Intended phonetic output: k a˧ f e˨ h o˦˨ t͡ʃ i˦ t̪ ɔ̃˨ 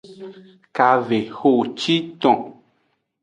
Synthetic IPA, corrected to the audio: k a˧ v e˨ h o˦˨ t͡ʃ i˦ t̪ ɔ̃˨